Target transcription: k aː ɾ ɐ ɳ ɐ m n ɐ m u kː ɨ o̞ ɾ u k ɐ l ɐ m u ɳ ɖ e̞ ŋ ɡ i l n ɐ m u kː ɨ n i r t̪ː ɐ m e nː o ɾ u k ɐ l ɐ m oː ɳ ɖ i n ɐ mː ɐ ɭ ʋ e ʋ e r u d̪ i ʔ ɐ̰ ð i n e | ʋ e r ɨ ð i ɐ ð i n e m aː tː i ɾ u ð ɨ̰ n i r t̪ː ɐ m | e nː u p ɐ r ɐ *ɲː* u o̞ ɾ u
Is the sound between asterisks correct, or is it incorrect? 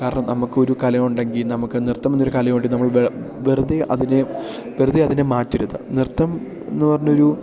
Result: correct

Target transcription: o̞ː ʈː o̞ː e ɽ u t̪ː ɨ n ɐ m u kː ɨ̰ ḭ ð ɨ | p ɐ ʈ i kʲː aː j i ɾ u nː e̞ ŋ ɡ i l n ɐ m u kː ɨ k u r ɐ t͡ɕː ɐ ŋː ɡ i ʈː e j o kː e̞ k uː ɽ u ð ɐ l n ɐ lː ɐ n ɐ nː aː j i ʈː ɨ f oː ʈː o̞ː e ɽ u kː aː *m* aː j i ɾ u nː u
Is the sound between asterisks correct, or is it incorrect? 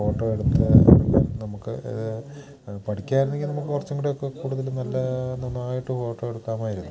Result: correct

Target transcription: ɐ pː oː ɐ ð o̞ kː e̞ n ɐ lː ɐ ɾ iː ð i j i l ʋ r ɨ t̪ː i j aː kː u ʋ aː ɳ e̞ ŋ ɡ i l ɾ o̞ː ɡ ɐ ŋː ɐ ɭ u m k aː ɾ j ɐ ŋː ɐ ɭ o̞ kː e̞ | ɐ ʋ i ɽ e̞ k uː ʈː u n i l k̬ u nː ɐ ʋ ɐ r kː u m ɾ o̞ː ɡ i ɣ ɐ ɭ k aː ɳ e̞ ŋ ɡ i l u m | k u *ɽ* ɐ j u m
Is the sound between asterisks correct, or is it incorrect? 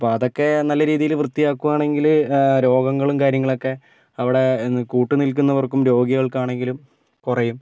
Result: incorrect: r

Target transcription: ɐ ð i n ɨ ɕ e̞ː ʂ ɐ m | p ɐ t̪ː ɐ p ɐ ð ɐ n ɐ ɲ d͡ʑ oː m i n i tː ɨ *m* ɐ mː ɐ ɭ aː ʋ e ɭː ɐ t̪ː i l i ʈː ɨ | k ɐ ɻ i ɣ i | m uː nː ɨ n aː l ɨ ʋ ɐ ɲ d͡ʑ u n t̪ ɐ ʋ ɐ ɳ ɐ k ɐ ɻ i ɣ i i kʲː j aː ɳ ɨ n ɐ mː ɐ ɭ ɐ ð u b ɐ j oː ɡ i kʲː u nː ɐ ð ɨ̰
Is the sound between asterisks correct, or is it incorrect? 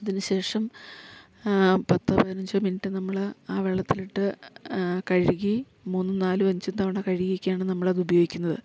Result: incorrect: n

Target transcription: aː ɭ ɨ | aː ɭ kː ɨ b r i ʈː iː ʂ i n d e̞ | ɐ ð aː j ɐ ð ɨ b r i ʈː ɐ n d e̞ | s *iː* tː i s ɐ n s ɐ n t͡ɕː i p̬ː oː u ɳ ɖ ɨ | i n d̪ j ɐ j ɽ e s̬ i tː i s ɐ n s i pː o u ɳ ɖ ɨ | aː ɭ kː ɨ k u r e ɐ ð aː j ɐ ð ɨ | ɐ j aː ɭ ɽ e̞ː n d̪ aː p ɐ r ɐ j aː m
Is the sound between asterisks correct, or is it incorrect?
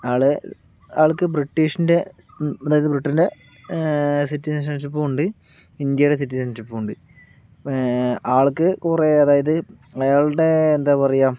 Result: incorrect: i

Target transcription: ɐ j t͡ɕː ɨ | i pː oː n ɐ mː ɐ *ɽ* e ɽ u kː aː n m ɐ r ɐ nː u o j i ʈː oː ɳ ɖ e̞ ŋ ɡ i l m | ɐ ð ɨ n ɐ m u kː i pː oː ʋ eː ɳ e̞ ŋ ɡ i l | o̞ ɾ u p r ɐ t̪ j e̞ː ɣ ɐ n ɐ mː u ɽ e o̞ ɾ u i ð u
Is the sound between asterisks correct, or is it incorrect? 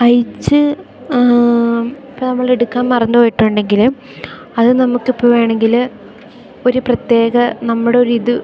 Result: incorrect: ɭ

